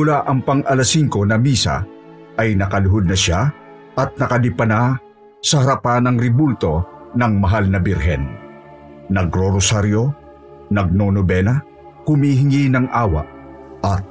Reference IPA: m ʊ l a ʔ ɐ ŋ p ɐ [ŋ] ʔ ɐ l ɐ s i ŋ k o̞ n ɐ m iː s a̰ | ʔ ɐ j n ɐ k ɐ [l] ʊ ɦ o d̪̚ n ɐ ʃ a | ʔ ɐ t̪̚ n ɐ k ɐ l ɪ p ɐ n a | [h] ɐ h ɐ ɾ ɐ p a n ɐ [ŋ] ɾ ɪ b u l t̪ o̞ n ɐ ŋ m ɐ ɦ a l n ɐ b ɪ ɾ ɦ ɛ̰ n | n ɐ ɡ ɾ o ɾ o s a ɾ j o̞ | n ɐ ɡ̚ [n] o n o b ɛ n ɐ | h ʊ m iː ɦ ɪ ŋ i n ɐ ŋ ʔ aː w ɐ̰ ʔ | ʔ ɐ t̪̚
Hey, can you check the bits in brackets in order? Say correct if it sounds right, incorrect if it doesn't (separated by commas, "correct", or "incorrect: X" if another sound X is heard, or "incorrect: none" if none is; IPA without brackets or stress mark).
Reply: correct, correct, incorrect: s, correct, correct